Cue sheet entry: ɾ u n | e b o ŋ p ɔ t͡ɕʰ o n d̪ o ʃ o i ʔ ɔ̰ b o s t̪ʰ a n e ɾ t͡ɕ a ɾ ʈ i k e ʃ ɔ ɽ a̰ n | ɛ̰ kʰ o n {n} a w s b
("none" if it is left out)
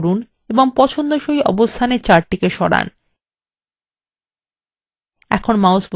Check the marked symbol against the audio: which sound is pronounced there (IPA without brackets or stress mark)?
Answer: m